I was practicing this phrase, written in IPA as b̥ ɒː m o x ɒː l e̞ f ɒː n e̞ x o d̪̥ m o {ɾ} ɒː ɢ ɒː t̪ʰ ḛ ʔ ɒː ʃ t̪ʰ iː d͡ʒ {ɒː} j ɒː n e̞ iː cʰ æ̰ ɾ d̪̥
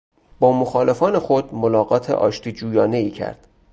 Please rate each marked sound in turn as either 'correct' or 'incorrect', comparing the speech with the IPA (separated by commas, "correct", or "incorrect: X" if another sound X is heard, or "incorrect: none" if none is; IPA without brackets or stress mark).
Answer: incorrect: l, incorrect: uː